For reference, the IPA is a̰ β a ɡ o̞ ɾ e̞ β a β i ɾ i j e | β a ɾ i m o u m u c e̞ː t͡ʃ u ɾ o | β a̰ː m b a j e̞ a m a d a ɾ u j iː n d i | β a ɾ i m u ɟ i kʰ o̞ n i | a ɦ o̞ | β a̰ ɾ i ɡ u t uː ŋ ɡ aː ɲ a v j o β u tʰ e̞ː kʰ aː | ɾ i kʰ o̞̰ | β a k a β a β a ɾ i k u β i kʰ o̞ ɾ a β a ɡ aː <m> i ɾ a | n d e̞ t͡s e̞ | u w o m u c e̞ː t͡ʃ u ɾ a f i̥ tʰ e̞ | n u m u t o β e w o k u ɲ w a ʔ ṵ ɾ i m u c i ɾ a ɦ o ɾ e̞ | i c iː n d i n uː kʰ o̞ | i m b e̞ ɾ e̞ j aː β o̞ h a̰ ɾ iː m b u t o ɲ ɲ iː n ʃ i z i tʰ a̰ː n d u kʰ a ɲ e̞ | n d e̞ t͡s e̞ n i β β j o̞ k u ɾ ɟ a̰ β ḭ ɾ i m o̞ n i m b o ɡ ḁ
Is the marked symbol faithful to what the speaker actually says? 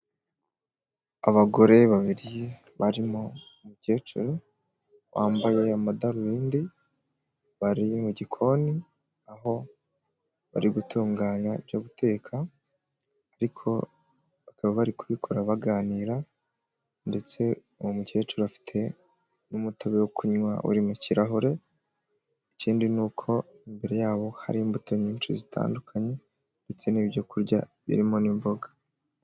no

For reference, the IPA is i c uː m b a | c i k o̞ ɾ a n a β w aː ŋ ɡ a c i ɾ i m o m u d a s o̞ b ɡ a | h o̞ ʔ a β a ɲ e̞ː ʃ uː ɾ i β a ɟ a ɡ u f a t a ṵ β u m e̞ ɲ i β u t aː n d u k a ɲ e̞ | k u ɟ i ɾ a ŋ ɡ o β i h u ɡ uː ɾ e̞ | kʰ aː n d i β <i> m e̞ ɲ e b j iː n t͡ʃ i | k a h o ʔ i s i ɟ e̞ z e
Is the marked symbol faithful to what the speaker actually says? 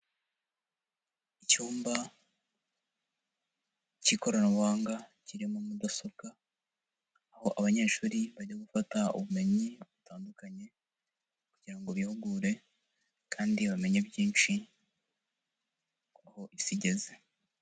no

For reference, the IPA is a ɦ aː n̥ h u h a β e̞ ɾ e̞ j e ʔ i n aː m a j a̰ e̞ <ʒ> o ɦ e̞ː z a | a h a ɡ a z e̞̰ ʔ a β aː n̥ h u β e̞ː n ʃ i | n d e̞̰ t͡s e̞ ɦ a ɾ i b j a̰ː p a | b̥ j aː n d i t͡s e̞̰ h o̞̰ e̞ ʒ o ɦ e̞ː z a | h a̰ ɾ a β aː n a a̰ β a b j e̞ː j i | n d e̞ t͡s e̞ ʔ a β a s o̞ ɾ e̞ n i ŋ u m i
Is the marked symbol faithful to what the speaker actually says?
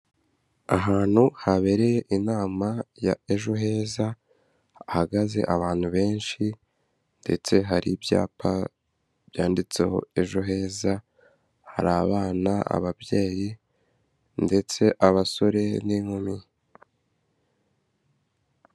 yes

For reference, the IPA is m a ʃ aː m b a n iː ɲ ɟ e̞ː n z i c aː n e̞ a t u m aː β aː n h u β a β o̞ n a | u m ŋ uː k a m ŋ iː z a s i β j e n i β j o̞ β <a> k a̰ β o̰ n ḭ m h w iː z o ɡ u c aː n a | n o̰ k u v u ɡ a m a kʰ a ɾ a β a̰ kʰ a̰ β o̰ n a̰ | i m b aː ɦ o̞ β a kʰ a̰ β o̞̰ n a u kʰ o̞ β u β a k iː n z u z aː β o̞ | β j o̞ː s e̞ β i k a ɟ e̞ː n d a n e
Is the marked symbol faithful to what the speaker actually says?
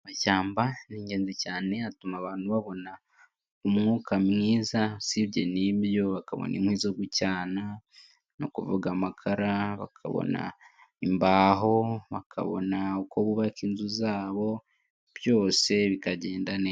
yes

